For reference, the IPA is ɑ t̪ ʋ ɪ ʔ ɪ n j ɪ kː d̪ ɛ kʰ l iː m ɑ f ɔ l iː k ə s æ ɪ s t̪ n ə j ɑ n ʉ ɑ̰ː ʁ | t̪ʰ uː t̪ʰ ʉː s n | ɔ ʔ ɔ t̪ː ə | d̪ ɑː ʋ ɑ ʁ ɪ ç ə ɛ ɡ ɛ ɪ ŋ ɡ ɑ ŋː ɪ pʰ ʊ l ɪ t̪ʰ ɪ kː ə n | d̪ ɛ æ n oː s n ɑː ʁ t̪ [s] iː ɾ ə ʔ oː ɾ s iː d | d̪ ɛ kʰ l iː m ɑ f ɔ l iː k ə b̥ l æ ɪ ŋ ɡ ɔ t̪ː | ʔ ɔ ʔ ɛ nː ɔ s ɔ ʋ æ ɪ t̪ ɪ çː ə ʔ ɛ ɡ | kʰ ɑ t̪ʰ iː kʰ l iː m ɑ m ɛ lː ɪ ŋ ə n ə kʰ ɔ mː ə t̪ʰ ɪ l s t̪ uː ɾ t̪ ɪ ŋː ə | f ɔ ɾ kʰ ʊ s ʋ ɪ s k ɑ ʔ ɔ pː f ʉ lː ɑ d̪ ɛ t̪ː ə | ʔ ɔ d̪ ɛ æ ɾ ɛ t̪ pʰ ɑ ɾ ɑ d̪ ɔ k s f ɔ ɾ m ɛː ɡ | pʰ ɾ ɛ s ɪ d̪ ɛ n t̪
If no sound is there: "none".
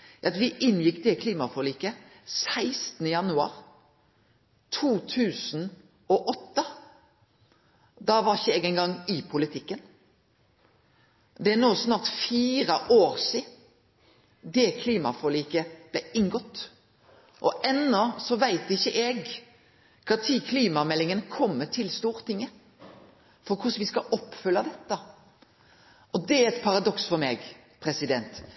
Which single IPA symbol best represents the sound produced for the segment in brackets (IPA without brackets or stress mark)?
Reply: f